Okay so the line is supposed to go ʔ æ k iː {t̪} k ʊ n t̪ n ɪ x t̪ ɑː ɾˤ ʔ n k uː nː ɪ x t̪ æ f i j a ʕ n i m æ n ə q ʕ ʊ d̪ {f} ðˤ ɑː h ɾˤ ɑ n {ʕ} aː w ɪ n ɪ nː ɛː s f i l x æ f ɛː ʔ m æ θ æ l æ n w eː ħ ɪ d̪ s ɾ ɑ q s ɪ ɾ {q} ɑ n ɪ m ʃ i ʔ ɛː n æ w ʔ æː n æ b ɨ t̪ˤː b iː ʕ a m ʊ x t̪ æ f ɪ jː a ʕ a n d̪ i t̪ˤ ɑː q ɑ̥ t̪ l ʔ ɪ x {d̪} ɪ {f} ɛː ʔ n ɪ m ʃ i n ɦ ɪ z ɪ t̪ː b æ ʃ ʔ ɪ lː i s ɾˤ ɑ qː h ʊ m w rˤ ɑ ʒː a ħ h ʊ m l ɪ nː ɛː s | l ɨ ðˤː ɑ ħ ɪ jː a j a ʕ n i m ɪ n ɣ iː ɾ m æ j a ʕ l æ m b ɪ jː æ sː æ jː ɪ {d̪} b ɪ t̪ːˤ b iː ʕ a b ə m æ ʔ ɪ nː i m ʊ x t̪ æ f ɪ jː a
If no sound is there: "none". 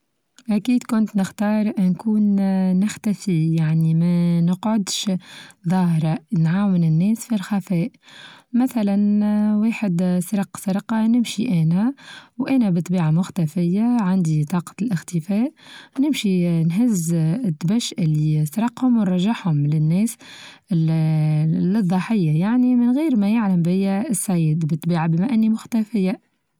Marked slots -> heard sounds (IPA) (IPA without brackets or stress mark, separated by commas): d̪, ʃ, ʕ, q, t̪, f, d̪